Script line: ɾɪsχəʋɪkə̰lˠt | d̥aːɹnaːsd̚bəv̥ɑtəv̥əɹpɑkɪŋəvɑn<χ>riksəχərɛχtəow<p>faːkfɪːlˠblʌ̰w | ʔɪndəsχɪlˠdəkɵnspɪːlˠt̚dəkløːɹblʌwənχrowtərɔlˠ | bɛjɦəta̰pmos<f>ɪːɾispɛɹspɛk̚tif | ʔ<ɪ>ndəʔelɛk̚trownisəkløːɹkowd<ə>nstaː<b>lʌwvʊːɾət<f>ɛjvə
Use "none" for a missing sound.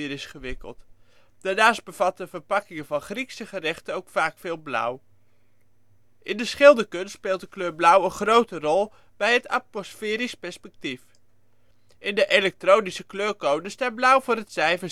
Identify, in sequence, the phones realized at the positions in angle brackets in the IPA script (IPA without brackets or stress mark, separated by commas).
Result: χ, k, f, ɪ, ə, b, s